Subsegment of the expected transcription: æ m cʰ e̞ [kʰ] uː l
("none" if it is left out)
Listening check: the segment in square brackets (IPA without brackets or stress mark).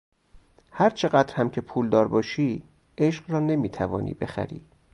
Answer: pʰ